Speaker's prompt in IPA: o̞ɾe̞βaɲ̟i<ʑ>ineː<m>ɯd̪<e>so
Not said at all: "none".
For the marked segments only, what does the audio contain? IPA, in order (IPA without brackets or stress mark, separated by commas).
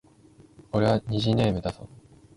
ʑ, m, a